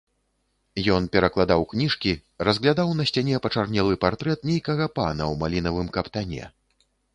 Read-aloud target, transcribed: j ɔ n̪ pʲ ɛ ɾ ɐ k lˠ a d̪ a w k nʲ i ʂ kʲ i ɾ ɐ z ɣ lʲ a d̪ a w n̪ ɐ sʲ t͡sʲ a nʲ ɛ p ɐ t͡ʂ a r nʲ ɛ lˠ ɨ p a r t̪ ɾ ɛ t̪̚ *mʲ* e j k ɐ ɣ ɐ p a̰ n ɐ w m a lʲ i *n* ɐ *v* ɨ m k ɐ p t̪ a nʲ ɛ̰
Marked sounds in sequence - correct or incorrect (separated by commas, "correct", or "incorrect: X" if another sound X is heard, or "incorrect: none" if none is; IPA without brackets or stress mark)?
incorrect: nʲ, correct, correct